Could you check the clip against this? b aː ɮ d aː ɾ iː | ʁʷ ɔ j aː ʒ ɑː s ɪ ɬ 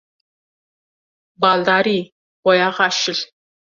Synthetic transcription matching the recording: b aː ɮ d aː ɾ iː | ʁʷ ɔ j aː ʁ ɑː ʃ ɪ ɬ